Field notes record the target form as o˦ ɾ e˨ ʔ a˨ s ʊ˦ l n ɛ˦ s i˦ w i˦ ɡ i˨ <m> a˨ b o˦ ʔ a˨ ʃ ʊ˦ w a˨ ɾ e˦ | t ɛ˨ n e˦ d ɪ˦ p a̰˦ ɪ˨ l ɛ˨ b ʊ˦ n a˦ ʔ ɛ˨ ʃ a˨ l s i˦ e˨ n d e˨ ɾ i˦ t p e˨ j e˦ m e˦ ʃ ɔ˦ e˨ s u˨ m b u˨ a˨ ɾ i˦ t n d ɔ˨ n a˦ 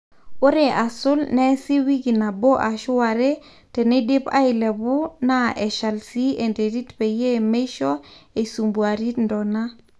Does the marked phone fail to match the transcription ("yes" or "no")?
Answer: yes